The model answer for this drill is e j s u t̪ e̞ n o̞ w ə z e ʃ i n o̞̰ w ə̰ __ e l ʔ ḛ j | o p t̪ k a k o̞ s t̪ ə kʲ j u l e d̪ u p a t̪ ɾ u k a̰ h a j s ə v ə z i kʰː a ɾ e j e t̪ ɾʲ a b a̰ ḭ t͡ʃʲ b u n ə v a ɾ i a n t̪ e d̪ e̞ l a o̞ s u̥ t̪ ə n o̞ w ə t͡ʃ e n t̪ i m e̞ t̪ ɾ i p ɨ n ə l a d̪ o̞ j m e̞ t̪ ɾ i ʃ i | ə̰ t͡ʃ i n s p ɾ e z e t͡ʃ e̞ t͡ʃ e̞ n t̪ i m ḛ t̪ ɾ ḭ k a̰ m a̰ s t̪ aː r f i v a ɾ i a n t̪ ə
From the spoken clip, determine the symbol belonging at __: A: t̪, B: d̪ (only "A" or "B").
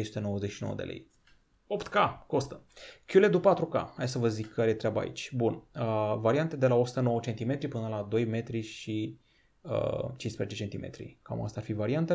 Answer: B